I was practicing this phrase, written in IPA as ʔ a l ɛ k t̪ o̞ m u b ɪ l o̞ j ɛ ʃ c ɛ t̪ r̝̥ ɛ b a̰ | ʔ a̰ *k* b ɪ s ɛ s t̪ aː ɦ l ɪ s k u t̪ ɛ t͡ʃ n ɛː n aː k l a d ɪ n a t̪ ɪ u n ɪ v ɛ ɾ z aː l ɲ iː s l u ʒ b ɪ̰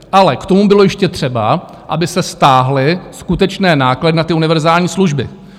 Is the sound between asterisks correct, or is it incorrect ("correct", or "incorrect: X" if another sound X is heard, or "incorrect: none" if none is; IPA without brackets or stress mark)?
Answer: incorrect: none